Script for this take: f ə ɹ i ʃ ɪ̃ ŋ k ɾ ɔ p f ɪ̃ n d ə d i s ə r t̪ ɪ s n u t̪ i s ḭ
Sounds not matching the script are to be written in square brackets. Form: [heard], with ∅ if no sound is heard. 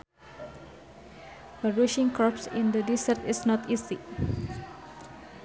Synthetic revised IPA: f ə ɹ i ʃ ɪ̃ ŋ k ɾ ɔ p [s] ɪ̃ n d ə d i s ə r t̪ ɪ s n [ɔ] t̪ i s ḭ